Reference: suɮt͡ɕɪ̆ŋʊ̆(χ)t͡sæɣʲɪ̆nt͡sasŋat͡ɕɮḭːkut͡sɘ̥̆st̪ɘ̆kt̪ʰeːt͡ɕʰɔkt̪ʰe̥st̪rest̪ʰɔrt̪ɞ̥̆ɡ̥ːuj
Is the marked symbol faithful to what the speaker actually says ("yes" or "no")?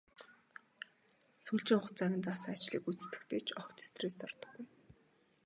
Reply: yes